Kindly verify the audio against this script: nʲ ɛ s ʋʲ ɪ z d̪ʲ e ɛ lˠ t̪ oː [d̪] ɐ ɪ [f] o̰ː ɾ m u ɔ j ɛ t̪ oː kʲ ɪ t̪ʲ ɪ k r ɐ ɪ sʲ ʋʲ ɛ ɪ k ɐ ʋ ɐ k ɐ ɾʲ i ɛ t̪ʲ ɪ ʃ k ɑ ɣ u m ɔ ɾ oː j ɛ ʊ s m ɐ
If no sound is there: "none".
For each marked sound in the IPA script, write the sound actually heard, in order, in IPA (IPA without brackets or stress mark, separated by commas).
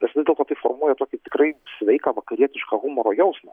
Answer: t̪, f